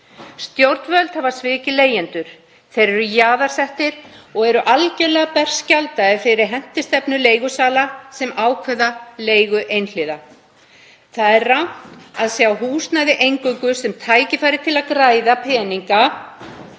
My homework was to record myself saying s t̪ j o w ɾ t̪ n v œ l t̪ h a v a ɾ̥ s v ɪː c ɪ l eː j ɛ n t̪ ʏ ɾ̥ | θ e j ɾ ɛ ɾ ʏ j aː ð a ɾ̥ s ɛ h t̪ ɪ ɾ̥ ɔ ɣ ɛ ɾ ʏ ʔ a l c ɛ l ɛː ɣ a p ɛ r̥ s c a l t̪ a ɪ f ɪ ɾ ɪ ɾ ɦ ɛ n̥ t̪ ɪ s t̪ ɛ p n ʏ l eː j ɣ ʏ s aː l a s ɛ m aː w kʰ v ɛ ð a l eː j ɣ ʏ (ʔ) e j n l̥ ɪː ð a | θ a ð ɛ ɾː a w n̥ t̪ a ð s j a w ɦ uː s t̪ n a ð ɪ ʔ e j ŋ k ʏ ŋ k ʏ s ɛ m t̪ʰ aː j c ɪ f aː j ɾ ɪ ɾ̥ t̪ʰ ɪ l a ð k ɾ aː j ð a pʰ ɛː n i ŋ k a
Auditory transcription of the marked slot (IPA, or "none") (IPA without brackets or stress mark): ʔ